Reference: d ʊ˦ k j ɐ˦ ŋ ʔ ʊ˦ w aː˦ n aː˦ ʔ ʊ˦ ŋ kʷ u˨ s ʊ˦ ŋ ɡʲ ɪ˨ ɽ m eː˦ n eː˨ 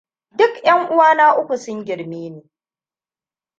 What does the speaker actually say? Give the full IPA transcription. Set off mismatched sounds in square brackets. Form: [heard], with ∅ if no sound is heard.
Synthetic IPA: d ʊ˦ k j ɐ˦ ŋ ʔ ʊ˦ w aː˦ n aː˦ ʔ ʊ˦ [∅] kʷ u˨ s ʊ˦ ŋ ɡʲ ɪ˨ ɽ m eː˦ n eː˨